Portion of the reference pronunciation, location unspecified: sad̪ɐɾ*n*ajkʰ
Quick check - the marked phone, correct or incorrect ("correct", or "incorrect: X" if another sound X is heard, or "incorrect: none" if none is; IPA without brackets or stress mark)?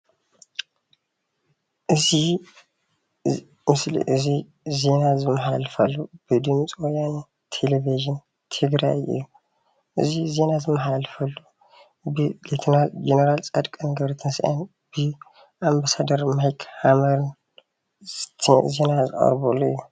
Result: incorrect: m